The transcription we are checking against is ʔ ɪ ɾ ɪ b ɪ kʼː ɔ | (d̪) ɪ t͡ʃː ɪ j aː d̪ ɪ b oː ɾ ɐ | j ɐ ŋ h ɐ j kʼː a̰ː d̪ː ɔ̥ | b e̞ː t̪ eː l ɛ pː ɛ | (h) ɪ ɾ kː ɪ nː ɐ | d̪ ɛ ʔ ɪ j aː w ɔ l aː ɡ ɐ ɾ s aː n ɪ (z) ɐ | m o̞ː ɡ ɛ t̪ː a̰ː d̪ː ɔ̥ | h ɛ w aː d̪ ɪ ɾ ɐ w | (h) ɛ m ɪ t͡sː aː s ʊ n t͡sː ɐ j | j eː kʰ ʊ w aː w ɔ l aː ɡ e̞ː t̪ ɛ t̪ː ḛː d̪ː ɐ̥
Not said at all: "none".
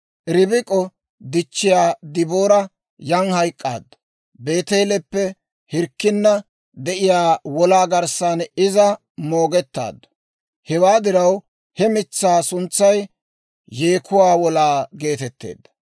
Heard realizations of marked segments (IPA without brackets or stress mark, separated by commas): d̪, h, z, h